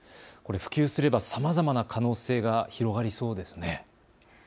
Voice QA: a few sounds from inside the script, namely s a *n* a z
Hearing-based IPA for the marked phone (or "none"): m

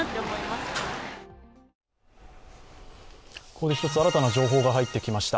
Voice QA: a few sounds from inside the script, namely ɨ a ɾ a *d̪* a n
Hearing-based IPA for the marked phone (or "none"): t̪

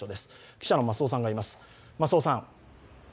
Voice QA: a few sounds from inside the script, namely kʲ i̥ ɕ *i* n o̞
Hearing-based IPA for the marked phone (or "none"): a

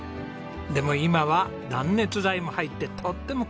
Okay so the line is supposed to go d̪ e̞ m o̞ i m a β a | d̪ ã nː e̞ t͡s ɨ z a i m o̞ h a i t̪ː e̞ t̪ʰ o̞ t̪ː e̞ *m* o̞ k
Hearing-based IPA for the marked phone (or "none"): m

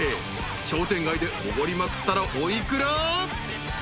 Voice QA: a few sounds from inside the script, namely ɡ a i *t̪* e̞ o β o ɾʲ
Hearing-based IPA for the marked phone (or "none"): d̪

